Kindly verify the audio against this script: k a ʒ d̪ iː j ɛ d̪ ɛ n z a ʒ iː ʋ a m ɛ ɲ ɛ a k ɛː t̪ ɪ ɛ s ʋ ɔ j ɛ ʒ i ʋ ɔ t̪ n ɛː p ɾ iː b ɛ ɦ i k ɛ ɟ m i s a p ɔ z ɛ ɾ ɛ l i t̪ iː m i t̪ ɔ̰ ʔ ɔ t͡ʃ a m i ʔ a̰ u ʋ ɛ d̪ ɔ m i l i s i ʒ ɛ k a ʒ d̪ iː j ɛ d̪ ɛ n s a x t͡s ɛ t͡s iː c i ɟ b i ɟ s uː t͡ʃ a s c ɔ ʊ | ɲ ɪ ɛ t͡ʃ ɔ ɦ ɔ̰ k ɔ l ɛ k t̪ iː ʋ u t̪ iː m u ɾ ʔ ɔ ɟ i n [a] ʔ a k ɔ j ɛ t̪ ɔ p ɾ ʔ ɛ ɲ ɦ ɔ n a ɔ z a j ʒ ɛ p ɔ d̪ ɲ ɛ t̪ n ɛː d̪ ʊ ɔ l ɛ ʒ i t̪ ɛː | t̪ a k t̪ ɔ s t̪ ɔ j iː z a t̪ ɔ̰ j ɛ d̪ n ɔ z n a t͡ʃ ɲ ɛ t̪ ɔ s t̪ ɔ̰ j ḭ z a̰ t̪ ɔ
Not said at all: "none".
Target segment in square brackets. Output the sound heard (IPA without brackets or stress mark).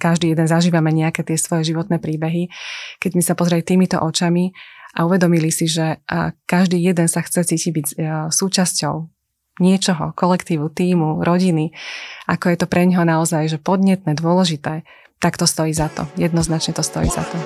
i